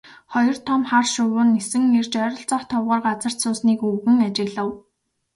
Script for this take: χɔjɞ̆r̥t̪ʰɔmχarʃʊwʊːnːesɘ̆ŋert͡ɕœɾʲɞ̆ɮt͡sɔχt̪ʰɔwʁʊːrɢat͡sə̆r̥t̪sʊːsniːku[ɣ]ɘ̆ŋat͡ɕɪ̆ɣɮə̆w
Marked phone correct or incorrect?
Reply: correct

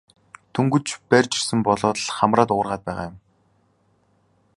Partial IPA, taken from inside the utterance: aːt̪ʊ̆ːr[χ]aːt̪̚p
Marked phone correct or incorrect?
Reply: incorrect: ʁ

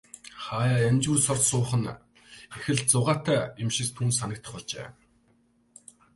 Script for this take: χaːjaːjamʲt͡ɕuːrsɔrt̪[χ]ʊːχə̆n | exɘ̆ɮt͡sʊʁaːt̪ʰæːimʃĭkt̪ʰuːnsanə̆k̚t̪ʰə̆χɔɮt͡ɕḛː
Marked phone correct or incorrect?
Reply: incorrect: s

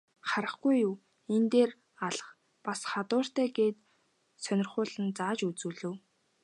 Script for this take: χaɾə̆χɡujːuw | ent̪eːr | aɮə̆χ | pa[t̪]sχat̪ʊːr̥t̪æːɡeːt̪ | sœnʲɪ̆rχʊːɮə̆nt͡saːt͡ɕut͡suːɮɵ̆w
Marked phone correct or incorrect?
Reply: incorrect: none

